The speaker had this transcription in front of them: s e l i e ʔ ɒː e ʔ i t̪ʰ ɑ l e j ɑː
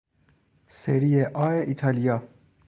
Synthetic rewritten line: s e ɾ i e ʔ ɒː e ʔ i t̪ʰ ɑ l i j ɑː